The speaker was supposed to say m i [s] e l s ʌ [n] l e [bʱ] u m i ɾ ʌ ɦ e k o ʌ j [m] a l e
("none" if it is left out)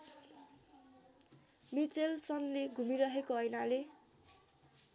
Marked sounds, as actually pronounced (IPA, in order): t͡s, n, ɡʱ, n

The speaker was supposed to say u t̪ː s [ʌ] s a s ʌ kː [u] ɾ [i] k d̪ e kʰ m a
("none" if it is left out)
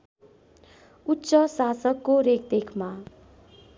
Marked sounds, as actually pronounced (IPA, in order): ʌ, o, e

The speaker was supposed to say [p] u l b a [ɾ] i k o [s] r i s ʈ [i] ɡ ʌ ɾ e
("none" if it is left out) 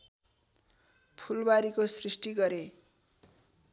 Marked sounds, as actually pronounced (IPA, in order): pʰ, ɾ, s, i

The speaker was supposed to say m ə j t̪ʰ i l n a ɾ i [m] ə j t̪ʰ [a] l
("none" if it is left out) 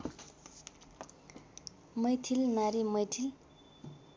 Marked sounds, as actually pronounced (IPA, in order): m, i

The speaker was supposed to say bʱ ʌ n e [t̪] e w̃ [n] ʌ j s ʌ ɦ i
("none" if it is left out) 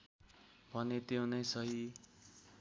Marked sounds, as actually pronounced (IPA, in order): t̪, n

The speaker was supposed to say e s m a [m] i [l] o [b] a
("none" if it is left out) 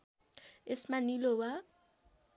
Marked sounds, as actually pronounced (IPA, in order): n, l, w

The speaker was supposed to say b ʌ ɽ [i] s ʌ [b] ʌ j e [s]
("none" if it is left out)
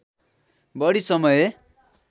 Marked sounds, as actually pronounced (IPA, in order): i, m, none

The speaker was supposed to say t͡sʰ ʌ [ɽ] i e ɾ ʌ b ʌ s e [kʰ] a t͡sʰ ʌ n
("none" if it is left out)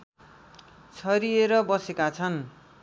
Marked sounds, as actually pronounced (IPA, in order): ɾ, k

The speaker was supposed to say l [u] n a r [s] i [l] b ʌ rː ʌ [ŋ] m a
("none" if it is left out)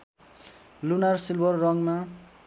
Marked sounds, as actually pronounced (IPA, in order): u, s, l, ŋ

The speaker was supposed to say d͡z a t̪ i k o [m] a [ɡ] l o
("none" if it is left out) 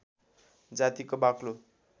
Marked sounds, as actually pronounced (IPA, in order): b, k

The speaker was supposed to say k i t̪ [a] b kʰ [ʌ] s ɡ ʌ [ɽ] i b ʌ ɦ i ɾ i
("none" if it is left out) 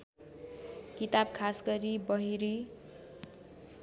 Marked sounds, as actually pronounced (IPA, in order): a, a, ɾ

